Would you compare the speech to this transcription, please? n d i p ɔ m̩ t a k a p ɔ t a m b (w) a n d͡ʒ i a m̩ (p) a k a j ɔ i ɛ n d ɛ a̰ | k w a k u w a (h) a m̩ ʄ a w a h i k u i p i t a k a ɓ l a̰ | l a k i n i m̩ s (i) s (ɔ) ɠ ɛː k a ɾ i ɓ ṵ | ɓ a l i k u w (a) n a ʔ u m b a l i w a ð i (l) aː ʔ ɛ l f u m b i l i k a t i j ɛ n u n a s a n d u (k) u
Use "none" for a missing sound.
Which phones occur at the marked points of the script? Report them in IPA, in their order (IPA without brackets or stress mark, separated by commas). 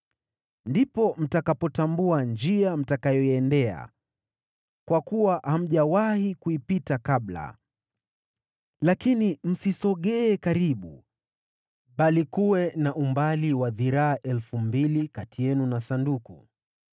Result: u, t, h, i, ɔ, ɛ, ɾ, k